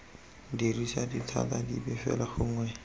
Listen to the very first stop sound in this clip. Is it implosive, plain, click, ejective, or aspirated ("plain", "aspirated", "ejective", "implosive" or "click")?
plain